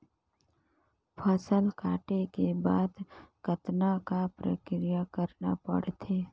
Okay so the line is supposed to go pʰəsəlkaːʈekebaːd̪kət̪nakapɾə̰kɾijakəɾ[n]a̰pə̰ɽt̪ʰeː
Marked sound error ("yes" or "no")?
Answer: no